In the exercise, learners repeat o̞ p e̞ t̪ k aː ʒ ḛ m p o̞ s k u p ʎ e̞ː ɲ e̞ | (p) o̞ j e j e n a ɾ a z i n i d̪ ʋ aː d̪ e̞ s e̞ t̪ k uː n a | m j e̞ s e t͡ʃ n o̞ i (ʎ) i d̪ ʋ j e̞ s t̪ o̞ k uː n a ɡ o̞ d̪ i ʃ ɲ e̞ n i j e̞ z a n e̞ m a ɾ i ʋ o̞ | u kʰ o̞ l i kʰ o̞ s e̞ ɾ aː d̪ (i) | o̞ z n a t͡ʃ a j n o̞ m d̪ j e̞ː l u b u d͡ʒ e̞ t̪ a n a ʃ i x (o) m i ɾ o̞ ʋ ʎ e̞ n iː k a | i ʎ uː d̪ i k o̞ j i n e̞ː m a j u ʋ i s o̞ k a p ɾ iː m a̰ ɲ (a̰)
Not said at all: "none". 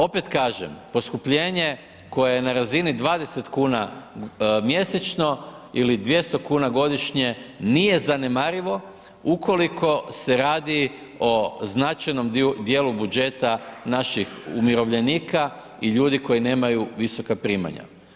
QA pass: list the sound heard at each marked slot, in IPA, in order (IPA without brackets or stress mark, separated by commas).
k, l, i, u, a̰